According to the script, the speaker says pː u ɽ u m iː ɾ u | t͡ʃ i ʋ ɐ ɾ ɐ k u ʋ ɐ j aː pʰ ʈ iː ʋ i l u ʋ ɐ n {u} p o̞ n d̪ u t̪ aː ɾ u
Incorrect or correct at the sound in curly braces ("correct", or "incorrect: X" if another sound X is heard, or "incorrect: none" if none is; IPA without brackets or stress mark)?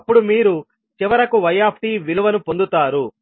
correct